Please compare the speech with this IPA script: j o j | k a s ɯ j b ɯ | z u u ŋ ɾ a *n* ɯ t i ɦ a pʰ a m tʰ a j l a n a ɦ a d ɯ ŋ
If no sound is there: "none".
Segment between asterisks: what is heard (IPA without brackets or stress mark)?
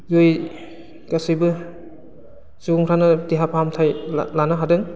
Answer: n